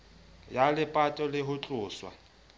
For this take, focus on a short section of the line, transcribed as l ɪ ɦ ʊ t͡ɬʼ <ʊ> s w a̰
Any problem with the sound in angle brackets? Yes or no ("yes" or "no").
yes